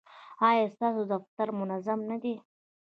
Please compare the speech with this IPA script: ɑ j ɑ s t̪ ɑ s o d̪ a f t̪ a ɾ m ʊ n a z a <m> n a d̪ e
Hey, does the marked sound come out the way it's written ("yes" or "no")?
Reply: yes